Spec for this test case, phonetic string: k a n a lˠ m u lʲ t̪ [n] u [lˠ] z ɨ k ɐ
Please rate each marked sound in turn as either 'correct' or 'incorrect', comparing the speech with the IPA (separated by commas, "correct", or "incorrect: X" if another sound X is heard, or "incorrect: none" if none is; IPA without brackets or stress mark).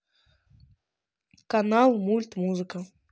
incorrect: m, incorrect: none